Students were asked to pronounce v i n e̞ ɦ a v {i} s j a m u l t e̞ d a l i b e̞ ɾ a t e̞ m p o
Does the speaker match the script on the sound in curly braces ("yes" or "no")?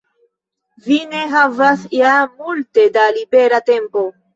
no